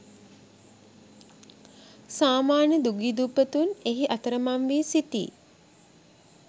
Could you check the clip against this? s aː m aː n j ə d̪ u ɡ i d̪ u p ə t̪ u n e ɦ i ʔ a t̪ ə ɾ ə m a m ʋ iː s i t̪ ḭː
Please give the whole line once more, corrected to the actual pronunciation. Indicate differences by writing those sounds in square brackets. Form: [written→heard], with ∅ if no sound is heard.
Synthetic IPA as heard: s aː m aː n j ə d̪ u ɡ i d̪ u p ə t̪ u n e ɦ i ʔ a t̪ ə ɾ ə m a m ʋ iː s i t̪ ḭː